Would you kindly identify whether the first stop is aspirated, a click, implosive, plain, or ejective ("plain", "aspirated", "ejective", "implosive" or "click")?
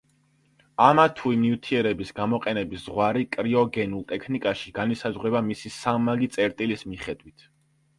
aspirated